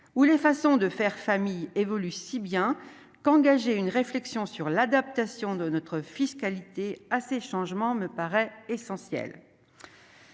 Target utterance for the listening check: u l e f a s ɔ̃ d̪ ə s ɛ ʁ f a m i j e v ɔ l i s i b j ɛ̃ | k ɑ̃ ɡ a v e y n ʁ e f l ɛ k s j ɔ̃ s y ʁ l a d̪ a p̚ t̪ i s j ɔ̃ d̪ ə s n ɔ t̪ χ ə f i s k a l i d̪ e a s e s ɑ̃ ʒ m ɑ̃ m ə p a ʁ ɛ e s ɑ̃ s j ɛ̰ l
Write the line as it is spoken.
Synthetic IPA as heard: u l e f a s ɔ̃ d̪ ə f ɛ ʁ f a m i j e v ɔ l y s i b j ɛ̃ | k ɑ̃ ɡ a ʒ e y n ʁ e f l ɛ k s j ɔ̃ s y ʁ l a d̪ a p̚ t̪ a s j ɔ̃ d̪ ə n ɔ t̪ χ ə f i s k a l i t̪ e a s e ʃ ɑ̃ ʒ m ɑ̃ m ə p a ʁ ɛ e s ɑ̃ s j ɛ̰ l

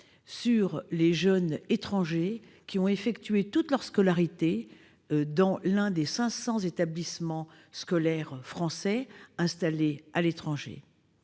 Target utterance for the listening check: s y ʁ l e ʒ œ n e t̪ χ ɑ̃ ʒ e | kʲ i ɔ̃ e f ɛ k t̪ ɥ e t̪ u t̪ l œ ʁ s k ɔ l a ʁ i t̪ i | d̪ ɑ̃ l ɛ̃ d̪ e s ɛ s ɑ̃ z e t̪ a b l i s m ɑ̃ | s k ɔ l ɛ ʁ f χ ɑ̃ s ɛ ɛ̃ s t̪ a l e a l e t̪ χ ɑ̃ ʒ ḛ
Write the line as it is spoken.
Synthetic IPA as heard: s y ʁ l e ʒ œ n e t̪ χ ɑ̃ ʒ e | kʲ i ɔ̃ e f ɛ k t̪ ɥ e t̪ u t̪ l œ ʁ s k ɔ l a ʁ i t̪ e | d̪ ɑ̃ l ɛ̃ d̪ e s ɛ̃ s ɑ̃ z e t̪ a b l i s m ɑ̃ | s k ɔ l ɛ ʁ f χ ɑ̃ s ɛ ɛ̃ s t̪ a l e a l e t̪ χ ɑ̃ ʒ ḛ

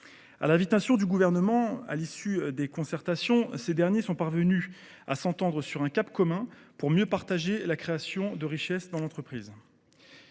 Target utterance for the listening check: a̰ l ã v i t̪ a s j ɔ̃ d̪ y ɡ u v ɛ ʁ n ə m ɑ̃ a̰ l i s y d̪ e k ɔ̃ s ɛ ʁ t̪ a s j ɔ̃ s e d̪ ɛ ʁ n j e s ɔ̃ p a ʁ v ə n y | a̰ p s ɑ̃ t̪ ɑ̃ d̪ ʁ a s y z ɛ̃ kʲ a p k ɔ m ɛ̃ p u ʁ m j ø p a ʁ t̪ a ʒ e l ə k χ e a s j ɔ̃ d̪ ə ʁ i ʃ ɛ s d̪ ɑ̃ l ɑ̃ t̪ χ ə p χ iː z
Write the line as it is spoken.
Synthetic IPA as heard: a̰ l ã v i t̪ a s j ɔ̃ d̪ y ɡ u v ɛ ʁ n ə m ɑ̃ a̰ l i s y d̪ e k ɔ̃ s ɛ ʁ t̪ a s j ɔ̃ s e d̪ ɛ ʁ n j e s ɔ̃ p a ʁ v ə n y | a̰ s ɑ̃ t̪ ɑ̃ d̪ ʁ ə s y ʁ ɛ̃ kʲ a p k ɔ m ɛ̃ p u ʁ m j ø p a ʁ t̪ a ʒ e l a k χ e a s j ɔ̃ d̪ ə ʁ i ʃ ɛ s d̪ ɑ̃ l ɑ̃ t̪ χ ə p χ iː z

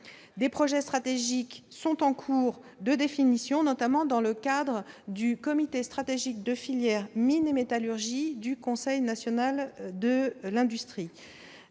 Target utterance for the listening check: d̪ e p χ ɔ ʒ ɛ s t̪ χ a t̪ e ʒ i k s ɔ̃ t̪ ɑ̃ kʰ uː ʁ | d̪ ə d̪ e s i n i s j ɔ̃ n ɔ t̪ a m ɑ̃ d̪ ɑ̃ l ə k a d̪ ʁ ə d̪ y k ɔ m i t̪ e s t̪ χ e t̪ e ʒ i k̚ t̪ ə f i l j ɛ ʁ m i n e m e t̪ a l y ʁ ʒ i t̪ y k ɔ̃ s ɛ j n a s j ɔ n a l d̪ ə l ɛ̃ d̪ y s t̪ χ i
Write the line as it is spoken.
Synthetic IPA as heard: d̪ e p χ ɔ ʒ ɛ s t̪ χ a t̪ e ʒ i k s ɔ̃ t̪ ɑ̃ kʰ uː ʁ | d̪ ə d̪ e f i n i s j ɔ̃ n ɔ t̪ a m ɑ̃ d̪ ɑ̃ l ə k a d̪ ʁ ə d̪ y k ɔ m i t̪ e s t̪ χ a t̪ e ʒ i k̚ d̪ ə f i l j ɛ ʁ m i n e m e t̪ a l y ʁ ʒ i d̪ y k ɔ̃ s ɛ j n a s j ɔ n a l d̪ ə l ɛ̃ d̪ y s t̪ χ i

